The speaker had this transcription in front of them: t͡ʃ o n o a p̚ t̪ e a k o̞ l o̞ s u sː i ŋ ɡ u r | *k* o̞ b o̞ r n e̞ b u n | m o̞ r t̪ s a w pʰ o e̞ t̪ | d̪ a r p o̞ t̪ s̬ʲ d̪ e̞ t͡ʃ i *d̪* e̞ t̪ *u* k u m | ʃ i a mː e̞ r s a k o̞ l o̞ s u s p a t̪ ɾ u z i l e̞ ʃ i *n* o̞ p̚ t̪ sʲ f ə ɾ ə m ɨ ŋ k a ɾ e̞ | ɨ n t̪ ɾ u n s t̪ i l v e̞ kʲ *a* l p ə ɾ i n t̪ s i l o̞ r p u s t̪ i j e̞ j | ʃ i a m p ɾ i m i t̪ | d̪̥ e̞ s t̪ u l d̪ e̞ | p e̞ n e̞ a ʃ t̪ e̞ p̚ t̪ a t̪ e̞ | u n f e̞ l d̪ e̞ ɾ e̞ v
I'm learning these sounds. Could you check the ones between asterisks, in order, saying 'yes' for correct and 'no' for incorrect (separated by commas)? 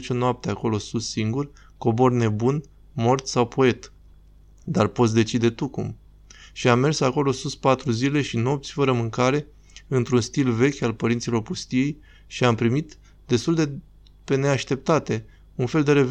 yes, yes, yes, yes, yes